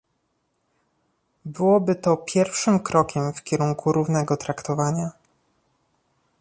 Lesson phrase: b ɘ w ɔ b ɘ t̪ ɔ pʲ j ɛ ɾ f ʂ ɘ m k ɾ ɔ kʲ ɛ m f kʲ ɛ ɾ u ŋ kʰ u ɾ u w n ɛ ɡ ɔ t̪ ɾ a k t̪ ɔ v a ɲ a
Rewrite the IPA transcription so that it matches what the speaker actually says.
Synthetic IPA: b ɘ w ɔ b ɘ t̪ ɔ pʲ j ɛ ɾ f ʂ ɘ m k ɾ ɔ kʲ ɛ m f kʲ ɛ ɾ u ŋ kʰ u ɾ u v n ɛ ɡ ɔ t̪ ɾ a k t̪ ɔ v a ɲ a